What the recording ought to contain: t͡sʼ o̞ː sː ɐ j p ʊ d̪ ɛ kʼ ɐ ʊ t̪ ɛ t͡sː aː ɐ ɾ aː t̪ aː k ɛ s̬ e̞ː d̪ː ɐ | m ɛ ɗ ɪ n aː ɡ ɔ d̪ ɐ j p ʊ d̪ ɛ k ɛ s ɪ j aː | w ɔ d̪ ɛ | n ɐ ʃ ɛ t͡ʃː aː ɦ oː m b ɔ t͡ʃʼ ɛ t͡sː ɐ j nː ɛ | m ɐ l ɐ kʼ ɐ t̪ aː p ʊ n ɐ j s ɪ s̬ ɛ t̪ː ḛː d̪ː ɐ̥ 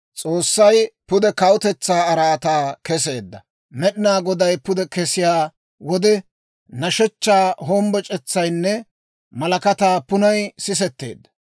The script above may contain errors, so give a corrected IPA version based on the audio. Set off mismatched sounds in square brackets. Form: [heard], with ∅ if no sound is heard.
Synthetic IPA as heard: t͡sʼ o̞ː sː ɐ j p ʊ d̪ ɛ [k] ɐ ʊ t̪ ɛ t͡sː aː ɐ ɾ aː t̪ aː k ɛ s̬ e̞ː d̪ː ɐ | m ɛ ɗ ɪ n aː ɡ ɔ d̪ ɐ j p ʊ d̪ ɛ k ɛ s ɪ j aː | w ɔ d̪ ɛ | n ɐ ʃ ɛ t͡ʃː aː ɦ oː m b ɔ t͡ʃʼ ɛ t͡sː ɐ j nː ɛ | m ɐ l ɐ [k] ɐ t̪ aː p ʊ n ɐ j s ɪ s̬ ɛ t̪ː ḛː d̪ː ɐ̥